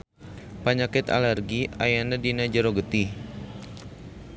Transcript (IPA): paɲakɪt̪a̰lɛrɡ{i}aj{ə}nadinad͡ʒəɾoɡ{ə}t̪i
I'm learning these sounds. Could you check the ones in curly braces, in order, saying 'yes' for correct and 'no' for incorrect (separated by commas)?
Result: yes, no, yes